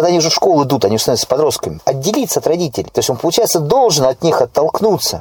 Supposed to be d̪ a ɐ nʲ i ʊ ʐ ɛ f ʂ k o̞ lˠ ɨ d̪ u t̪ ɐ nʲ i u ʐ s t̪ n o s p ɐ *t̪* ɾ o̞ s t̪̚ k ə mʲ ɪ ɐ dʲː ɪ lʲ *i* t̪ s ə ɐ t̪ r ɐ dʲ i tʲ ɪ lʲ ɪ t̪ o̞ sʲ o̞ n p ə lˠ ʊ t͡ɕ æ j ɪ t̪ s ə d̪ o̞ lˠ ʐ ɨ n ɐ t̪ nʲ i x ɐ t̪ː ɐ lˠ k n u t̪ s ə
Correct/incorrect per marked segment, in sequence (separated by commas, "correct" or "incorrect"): incorrect, correct